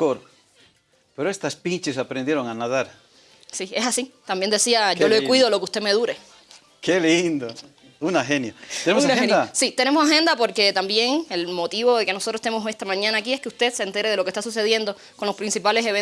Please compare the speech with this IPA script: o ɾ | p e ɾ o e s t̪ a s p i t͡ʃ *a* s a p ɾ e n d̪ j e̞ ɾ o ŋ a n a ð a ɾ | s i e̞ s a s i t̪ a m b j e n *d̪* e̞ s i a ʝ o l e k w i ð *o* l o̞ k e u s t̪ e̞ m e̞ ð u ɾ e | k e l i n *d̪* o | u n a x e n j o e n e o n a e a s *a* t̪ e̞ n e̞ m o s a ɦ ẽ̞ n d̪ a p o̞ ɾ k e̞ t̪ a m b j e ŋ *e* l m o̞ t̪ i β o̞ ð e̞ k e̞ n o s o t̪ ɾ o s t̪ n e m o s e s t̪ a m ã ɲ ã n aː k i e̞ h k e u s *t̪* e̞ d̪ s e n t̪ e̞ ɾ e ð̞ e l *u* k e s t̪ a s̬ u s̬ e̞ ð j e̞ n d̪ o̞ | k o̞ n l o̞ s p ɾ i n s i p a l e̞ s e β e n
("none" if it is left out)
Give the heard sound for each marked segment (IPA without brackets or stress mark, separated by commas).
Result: e, d̪, o, d̪, i, e, t̪, o